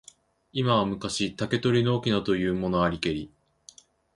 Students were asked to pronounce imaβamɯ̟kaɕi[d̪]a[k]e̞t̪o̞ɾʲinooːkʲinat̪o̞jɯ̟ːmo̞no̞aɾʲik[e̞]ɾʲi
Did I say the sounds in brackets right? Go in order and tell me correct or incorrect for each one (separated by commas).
incorrect, correct, correct